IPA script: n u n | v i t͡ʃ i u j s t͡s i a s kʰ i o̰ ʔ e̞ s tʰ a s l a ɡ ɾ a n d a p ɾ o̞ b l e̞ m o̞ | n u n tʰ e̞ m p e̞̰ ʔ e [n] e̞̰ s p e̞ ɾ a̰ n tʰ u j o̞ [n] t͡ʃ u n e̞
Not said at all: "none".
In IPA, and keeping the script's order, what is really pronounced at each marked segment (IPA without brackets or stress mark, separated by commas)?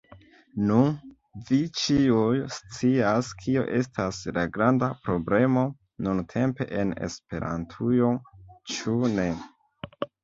n, none